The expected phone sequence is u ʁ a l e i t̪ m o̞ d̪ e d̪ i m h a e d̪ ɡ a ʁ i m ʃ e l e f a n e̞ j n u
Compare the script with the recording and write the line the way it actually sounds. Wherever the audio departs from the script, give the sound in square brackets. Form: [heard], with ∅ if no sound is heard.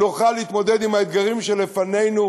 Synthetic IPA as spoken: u [χ] a l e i t̪ m o̞ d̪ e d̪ i m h a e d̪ ɡ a ʁ i m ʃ e l e f a n e̞ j n u